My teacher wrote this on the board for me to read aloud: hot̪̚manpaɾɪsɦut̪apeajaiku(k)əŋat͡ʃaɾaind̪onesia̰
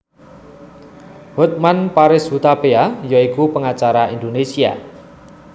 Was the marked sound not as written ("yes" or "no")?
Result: yes